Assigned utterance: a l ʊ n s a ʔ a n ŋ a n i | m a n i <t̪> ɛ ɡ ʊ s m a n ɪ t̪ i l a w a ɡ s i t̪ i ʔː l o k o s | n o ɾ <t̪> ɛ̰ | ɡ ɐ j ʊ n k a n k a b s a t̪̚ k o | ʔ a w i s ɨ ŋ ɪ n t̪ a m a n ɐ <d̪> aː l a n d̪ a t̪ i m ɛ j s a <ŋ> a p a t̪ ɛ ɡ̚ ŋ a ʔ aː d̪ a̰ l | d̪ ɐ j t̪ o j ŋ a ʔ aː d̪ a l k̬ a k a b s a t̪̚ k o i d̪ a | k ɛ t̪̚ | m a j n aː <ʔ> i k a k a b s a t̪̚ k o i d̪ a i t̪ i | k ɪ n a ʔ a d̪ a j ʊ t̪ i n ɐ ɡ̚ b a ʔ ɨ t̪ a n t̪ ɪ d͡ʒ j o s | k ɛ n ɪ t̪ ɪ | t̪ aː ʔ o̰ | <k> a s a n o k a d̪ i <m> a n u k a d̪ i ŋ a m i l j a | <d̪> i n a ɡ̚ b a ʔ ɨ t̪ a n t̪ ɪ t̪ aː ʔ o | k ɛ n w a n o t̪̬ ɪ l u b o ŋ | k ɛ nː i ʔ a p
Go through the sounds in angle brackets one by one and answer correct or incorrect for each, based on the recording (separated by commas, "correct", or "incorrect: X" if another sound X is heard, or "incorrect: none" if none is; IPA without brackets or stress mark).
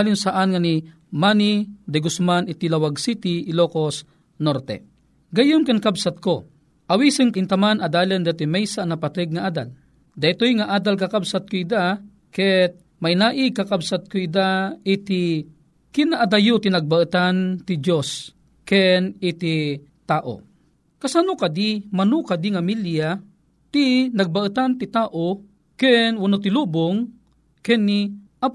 incorrect: d̪, correct, correct, incorrect: n, correct, correct, correct, incorrect: t̪